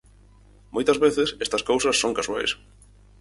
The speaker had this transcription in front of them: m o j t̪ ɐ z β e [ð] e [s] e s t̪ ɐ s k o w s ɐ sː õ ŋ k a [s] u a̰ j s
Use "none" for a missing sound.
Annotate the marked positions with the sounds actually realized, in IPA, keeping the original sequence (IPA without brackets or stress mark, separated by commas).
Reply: θ, s, s